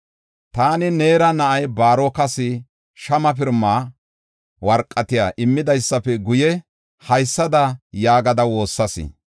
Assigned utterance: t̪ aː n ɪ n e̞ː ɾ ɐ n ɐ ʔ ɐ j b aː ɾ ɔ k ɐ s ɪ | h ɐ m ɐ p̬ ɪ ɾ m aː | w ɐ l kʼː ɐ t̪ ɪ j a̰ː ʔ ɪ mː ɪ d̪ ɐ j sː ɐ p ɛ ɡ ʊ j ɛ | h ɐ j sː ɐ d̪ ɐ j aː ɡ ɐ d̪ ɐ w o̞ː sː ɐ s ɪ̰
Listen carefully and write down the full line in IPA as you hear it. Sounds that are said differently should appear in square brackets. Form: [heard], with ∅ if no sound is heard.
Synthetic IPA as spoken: t̪ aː n ɪ n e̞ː ɾ ɐ n ɐ ʔ ɐ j b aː ɾ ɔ k ɐ s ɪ | [ʃ] ɐ m ɐ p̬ ɪ ɾ m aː | w ɐ [ɾ] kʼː ɐ t̪ ɪ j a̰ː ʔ ɪ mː ɪ d̪ ɐ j sː ɐ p ɛ ɡ ʊ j ɛ | h ɐ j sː ɐ d̪ ɐ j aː ɡ ɐ d̪ ɐ w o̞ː sː ɐ s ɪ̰